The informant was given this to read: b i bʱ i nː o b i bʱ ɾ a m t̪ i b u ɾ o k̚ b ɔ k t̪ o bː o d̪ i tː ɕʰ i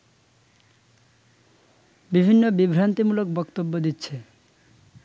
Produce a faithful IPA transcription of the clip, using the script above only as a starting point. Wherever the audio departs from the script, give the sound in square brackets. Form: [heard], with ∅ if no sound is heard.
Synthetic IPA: b i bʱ i nː o b i bʱ ɾ a [n] t̪ i [m] u [l] o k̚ b ɔ k t̪ o bː o d̪ i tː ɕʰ [e]